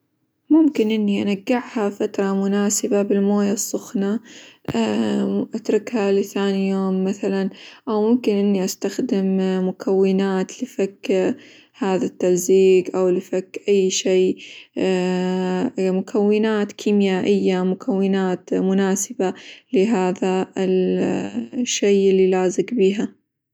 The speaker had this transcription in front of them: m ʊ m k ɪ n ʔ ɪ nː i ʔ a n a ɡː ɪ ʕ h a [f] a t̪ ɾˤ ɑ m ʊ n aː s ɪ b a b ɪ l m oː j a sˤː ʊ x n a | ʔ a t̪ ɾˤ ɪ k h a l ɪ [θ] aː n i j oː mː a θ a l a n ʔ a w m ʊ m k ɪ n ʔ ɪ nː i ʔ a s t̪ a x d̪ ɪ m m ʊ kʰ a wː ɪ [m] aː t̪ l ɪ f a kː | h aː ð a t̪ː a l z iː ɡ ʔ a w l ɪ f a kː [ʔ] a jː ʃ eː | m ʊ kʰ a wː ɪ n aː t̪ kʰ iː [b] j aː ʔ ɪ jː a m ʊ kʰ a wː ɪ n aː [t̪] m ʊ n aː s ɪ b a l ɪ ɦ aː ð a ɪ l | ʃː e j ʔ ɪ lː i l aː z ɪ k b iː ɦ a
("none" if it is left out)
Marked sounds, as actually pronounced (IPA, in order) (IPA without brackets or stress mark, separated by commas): f, θ, n, ʔ, m, t̪